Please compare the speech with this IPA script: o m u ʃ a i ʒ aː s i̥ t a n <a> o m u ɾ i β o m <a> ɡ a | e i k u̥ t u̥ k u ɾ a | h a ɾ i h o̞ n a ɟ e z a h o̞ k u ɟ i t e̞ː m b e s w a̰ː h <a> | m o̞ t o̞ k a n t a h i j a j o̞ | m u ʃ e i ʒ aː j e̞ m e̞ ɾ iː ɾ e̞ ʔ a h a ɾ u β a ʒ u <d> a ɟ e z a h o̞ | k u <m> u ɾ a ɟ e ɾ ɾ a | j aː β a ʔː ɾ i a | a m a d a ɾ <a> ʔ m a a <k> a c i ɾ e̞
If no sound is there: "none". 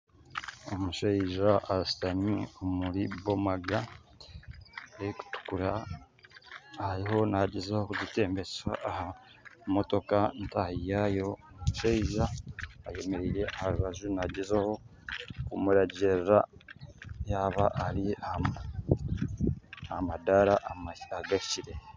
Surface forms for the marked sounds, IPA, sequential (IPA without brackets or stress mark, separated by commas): i, a, a, n, m, a, ɡ